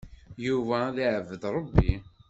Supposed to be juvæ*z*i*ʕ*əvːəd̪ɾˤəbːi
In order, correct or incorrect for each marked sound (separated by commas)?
incorrect, correct